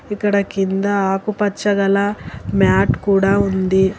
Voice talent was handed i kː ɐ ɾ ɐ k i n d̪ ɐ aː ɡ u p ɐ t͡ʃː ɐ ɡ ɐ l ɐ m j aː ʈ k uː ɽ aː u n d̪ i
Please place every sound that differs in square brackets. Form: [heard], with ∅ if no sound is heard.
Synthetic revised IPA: i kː ɐ [ɽ] ɐ k i n d̪ ɐ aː [k] u p ɐ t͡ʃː ɐ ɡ ɐ l ɐ m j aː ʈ k uː ɽ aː u n d̪ i